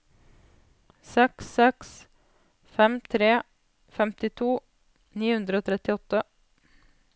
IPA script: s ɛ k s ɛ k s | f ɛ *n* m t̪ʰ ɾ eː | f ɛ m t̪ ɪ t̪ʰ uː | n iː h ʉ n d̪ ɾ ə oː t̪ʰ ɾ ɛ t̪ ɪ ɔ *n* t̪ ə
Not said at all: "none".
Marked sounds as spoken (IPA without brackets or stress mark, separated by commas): none, none